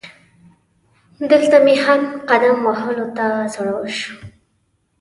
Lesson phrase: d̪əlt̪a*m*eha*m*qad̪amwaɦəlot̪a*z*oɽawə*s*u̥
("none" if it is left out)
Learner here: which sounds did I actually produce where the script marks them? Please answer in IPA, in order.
m, m, z, ʃ

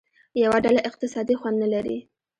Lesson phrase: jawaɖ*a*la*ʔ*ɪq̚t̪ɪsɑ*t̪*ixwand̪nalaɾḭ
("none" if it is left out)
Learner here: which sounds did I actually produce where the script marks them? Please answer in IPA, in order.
a, ʔ, d̪

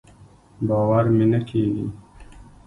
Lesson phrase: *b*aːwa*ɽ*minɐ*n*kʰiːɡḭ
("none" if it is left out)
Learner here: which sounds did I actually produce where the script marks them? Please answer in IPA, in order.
b, ɾ, none

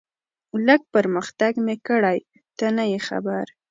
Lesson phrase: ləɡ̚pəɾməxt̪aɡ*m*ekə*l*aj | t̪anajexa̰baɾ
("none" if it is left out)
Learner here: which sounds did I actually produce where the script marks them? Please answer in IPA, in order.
m, ɽ

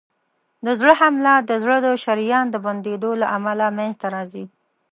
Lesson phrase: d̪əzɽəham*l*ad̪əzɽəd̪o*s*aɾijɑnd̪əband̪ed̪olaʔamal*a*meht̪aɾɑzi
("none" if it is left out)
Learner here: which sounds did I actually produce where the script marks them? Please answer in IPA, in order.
l, ʃ, a

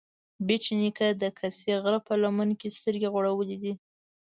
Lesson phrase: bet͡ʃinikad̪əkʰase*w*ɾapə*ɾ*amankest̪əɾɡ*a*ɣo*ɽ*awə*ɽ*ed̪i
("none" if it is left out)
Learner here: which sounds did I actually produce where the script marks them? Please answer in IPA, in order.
ɣ, l, e, ɽ, l

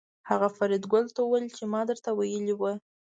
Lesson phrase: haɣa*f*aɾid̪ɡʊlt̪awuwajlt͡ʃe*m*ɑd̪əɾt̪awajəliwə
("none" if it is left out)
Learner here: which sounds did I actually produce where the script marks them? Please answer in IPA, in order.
f, m

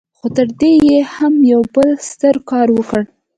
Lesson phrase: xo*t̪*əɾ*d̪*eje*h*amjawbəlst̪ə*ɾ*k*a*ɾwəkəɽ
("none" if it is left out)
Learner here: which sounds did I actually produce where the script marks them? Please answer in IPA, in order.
t̪, d̪, h, ɾ, ɑ

